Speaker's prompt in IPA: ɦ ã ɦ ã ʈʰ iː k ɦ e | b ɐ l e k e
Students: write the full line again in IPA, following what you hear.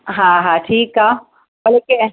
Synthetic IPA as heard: ɦ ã ɦ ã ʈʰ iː k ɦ a | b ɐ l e k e